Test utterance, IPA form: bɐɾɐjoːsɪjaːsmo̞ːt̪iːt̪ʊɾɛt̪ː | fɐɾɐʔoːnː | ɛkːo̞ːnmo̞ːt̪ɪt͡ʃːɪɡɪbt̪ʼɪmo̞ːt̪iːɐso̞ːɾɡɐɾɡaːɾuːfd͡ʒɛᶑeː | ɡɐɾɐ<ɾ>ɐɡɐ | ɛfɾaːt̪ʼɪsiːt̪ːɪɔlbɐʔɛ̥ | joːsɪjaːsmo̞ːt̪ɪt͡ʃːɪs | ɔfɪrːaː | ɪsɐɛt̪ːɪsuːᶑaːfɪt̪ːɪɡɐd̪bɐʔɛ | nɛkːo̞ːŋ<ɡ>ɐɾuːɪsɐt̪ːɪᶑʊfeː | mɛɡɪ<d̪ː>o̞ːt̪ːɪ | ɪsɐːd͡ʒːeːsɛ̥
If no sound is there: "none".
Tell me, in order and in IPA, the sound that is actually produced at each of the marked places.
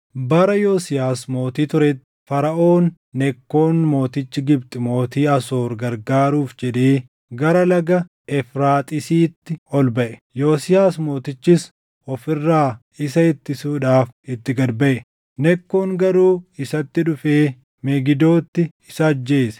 l, ɡ, d̪

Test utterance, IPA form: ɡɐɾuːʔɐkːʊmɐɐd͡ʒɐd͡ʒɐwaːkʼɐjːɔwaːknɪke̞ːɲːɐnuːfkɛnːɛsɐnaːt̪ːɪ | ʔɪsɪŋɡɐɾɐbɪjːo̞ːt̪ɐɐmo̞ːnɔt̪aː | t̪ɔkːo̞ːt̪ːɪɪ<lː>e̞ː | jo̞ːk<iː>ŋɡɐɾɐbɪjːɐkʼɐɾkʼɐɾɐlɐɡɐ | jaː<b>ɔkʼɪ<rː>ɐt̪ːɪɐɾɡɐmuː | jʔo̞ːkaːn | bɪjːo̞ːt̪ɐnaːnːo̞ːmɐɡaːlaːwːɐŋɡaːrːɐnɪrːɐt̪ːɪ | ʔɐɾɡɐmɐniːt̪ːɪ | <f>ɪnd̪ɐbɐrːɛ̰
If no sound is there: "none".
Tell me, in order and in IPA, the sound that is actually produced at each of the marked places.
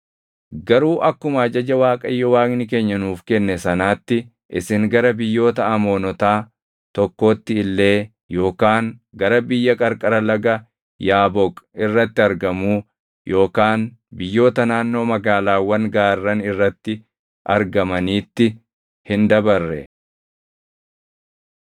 lː, aː, b, rː, h

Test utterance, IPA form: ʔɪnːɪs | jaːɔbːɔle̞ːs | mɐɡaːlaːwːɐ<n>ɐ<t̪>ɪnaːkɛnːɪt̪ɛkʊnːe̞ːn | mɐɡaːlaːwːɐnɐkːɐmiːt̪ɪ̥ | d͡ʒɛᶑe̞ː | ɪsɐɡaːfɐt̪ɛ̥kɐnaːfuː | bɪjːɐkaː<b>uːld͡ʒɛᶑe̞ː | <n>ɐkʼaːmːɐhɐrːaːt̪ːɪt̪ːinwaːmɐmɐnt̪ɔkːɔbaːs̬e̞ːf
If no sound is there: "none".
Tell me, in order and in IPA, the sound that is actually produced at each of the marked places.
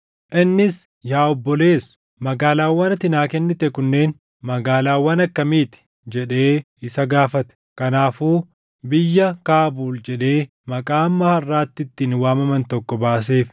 n, t̪, b, m

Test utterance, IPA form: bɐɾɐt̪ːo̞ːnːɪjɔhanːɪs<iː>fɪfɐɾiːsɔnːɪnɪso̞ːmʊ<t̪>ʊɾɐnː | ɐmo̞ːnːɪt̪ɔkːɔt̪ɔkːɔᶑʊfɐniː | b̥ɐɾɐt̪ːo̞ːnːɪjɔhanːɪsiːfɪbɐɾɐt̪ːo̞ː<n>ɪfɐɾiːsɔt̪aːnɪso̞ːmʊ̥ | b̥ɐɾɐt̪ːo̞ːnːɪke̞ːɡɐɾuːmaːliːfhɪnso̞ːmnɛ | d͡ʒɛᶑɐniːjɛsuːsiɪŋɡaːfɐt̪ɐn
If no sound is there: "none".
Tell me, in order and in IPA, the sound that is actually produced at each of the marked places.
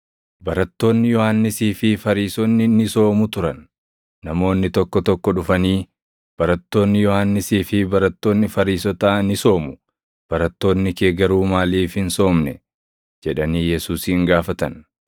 iː, t̪, nː

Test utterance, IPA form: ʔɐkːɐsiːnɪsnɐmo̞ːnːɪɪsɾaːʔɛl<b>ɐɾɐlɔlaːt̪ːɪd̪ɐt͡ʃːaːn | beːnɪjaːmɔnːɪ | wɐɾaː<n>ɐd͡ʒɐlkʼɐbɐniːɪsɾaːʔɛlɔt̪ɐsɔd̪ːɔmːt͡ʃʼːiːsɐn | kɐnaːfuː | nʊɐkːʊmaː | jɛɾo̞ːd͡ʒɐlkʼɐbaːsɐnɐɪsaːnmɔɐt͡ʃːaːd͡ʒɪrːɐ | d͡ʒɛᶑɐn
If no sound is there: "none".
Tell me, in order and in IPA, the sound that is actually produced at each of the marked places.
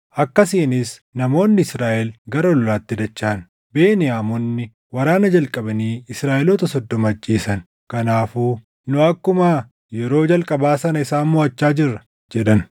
ɡ, n

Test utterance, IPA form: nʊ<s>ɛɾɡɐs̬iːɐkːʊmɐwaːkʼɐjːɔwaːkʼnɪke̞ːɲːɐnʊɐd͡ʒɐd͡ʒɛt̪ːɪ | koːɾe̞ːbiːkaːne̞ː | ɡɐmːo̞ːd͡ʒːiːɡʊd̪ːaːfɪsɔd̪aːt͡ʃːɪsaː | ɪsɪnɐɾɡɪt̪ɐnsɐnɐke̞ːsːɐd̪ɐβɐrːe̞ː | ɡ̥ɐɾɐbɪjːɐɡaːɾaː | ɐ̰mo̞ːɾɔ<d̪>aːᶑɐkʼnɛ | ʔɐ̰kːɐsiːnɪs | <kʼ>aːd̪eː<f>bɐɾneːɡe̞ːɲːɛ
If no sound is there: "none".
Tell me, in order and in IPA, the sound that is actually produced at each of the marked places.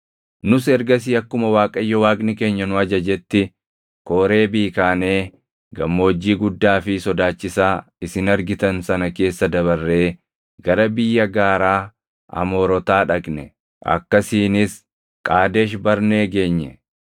s, t̪, kʼ, ʃ

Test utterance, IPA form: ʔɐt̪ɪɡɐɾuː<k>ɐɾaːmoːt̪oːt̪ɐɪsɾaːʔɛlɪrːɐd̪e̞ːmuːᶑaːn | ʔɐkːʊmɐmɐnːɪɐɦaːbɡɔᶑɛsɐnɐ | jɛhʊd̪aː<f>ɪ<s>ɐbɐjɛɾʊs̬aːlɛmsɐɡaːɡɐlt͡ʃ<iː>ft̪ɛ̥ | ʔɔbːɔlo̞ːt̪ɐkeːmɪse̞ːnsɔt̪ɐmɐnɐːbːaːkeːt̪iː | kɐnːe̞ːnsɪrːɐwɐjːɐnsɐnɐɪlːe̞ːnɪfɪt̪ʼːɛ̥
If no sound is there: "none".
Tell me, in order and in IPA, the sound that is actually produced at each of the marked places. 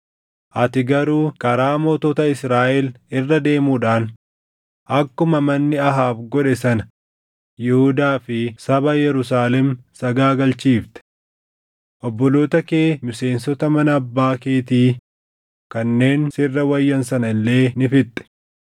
k, f, s, iː

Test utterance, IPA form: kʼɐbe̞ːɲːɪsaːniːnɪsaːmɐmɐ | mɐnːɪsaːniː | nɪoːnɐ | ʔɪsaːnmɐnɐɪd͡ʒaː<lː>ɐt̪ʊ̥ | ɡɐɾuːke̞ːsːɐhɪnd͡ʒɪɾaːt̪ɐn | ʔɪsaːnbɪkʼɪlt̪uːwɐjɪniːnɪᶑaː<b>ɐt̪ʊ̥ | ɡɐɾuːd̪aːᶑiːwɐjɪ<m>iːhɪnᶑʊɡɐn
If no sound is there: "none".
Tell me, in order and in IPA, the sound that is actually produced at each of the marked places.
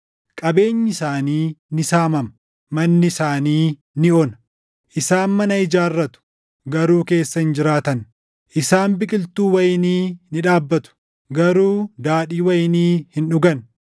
rː, bː, n

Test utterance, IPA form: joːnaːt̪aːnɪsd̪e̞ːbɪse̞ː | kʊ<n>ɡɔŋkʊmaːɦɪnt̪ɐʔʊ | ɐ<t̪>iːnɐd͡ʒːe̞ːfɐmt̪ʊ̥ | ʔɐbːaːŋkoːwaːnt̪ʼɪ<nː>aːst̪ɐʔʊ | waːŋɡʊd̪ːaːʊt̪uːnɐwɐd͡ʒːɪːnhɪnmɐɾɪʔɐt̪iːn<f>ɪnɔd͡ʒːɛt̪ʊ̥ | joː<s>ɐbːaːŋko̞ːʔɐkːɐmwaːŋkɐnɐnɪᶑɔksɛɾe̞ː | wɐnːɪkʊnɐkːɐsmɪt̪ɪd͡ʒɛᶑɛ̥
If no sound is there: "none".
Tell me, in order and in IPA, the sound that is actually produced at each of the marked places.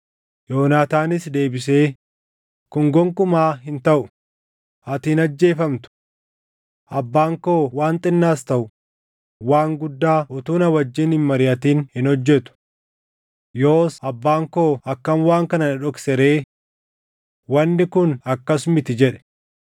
ŋ, t̪, nː, h, s

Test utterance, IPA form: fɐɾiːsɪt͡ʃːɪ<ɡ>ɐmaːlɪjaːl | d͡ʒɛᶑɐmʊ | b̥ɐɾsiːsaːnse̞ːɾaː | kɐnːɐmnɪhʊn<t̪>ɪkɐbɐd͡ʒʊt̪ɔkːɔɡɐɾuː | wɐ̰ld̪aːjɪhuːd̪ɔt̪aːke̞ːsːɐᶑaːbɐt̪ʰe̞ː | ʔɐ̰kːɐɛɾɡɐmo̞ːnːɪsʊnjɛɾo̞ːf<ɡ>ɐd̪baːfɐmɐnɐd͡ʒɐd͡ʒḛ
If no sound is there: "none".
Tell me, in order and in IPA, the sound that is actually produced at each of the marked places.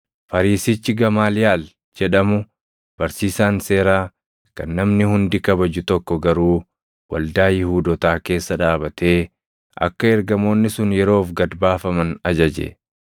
ɡ, d̪, ɡ

